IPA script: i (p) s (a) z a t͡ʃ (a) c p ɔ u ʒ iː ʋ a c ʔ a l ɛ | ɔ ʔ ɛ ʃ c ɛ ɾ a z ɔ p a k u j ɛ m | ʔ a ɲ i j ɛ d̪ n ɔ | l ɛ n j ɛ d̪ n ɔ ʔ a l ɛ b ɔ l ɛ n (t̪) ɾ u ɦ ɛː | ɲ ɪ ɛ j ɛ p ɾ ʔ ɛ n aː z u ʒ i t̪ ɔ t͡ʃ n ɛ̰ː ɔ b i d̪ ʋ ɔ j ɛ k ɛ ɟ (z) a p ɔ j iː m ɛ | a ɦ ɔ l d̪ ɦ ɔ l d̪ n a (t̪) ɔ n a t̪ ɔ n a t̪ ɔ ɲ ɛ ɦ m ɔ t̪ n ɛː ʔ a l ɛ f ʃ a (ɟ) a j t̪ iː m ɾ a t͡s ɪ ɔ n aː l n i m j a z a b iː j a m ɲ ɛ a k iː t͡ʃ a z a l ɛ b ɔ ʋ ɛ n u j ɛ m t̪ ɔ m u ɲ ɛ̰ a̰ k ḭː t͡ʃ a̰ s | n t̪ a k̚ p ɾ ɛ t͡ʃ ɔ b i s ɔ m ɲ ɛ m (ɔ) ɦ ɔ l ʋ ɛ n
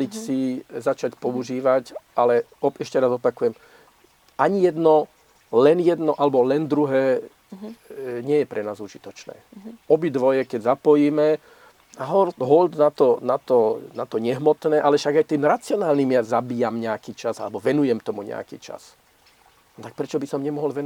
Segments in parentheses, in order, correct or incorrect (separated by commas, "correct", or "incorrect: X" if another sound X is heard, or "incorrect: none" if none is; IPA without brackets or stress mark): incorrect: c, incorrect: i, correct, incorrect: d̪, correct, correct, incorrect: ɡ, correct